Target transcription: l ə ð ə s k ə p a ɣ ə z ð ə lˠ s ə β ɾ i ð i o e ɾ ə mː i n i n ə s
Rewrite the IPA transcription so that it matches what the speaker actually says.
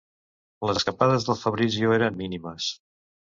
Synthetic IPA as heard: l ə z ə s k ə p a ð ə z ð ə lˠ f ə β ɾ i z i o e ɾ ə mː i n i m ə s